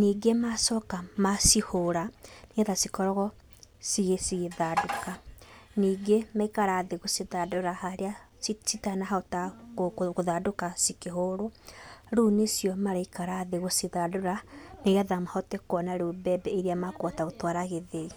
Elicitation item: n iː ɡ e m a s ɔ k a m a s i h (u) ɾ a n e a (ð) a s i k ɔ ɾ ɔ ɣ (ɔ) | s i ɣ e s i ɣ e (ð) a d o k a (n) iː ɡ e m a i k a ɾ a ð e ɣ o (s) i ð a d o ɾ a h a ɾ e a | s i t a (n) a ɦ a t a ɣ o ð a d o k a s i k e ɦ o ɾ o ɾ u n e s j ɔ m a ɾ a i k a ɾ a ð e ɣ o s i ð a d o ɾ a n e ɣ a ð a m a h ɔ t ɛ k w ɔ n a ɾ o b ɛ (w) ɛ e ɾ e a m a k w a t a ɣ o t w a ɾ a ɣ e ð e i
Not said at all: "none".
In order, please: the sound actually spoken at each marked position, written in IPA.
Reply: o, ð, ɔ, ð, n, s, n, b

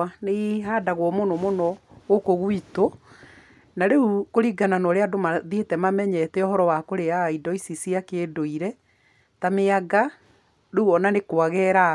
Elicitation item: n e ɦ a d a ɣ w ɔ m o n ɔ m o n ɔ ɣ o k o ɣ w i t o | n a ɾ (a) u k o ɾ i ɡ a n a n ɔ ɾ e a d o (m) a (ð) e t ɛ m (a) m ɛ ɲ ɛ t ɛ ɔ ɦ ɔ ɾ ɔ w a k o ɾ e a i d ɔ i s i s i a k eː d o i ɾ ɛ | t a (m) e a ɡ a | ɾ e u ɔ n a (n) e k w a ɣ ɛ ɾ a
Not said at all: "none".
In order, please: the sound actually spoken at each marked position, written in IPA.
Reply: e, m, ð, a, m, n

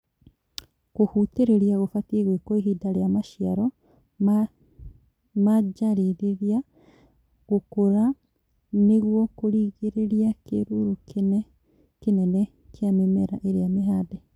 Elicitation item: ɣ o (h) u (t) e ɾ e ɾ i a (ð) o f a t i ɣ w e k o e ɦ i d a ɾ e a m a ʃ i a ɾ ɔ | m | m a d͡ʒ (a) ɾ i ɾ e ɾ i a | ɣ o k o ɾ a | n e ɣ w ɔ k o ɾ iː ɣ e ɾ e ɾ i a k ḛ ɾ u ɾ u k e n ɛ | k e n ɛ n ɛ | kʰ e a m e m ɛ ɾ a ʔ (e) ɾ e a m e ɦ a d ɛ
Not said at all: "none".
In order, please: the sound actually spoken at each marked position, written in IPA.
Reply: h, t, ɣ, a, e

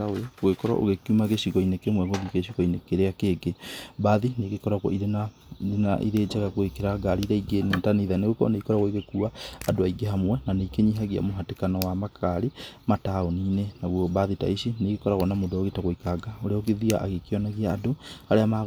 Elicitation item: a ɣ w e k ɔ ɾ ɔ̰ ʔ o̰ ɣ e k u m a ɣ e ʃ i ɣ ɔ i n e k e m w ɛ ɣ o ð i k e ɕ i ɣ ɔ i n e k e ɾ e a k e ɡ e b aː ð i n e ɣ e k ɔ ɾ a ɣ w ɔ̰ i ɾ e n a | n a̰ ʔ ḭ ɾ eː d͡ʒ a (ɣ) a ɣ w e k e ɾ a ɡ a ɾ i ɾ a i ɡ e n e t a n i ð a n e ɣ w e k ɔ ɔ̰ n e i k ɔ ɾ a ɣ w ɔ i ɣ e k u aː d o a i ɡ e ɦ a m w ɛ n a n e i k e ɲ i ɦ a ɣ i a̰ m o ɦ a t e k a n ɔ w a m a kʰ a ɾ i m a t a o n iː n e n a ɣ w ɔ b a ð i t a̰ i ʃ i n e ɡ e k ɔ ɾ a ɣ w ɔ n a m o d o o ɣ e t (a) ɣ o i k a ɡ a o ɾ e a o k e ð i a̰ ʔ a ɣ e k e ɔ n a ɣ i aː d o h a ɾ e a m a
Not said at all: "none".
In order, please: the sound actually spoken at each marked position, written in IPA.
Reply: ɣ, a

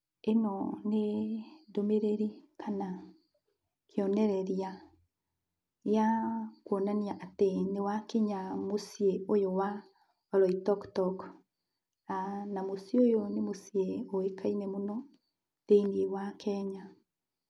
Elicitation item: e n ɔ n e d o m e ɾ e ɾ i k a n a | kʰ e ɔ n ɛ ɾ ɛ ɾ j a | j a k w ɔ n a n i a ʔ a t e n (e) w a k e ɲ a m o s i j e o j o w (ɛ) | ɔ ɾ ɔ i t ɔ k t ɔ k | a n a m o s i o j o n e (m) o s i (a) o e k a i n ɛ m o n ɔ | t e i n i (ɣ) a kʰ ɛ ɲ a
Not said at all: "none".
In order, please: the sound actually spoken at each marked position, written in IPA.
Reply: e, a, m, e, w

